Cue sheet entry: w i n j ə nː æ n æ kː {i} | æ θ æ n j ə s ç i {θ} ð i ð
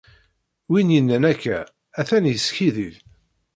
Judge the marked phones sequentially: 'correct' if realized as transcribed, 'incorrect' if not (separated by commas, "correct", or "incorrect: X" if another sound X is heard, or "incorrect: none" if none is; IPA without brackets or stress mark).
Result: incorrect: æ, incorrect: none